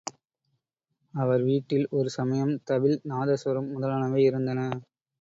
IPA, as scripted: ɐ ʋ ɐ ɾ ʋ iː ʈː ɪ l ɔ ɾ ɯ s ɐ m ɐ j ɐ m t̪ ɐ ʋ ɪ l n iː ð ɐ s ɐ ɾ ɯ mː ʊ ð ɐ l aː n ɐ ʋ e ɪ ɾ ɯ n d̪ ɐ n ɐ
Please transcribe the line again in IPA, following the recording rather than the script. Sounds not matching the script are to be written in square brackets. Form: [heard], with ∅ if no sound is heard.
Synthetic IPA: ɐ ʋ ɐ ɾ ʋ iː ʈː ɪ l ɔ ɾ ɯ s ɐ m ɐ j ɐ m t̪ ɐ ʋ ɪ l n [aː] ð ɐ s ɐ ɾ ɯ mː ʊ ð ɐ l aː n ɐ ʋ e ɪ ɾ ɯ n d̪ ɐ n ɐ